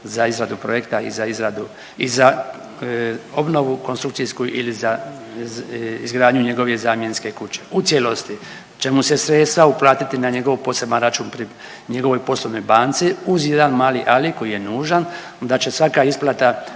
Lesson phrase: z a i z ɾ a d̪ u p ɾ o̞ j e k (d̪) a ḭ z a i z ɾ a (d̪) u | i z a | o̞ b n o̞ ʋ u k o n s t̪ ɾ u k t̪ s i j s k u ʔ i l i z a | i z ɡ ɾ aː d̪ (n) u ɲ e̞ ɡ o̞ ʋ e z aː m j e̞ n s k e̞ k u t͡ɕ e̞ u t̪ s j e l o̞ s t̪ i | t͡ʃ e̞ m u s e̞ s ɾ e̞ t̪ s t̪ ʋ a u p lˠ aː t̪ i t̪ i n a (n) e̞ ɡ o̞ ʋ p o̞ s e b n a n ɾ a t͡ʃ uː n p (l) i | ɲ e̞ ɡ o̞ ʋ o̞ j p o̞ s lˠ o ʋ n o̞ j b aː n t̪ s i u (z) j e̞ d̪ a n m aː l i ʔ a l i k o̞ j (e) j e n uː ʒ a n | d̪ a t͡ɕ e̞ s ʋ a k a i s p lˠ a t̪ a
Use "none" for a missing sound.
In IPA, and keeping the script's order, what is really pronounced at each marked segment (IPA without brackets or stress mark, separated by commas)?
t̪, d̪, ɲ, ɲ, ɾ, z, i